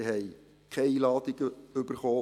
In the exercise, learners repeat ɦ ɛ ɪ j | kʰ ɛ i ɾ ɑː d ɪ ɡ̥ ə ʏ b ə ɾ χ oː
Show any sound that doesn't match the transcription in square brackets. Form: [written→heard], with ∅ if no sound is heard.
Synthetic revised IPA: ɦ ɛ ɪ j | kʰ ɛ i [ɾ→l] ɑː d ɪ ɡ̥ ə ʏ b ə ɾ χ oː